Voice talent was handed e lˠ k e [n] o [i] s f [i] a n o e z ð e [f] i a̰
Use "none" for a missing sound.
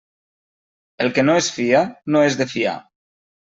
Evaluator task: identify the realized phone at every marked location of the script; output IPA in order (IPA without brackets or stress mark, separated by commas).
n, e, i, f